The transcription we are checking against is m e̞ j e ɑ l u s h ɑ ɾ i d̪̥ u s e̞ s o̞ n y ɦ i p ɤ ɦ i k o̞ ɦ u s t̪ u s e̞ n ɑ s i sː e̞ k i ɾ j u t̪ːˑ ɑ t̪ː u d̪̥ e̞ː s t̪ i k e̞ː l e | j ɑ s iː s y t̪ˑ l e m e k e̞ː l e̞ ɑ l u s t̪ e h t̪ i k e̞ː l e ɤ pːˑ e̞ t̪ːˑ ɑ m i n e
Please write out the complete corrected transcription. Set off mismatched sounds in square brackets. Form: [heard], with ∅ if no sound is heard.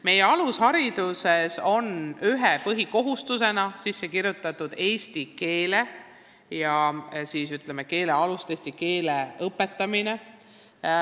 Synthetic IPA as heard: m e̞ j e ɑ l u s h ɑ ɾ i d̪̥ u s e̞ s o̞ n y ɦ [e] p ɤ ɦ i k o̞ ɦ u s t̪ u s e̞ n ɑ s i sː e̞ k i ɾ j u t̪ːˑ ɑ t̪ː u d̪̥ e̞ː s t̪ i k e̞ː l e | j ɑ s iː s y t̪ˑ l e m e k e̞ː l e̞ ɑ l u s t̪ e [s] t̪ i k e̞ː l e ɤ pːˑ e̞ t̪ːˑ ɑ m i n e